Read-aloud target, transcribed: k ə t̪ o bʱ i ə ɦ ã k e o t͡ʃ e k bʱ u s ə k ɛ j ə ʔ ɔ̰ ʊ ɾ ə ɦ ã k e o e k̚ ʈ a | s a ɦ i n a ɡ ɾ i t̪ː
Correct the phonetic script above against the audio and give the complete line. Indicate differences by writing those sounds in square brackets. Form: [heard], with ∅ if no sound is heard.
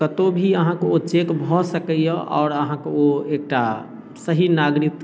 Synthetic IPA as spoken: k ə t̪ o bʱ i ə ɦ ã k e o t͡ʃ e k bʱ [ɔ] s ə k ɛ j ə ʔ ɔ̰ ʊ ɾ ə ɦ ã k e o e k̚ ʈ a | s [ə] ɦ i n a ɡ ɾ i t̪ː